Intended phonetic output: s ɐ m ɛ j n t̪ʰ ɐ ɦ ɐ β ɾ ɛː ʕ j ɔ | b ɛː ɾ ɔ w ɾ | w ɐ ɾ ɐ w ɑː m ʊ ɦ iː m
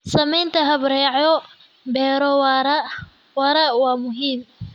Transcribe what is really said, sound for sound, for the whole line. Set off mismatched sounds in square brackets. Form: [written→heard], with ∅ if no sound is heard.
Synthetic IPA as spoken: s ɐ m ɛ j n t̪ʰ ɐ ɦ ɐ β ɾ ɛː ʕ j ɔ | b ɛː ɾ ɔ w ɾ | w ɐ ɾ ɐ w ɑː m ʊ ɦ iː m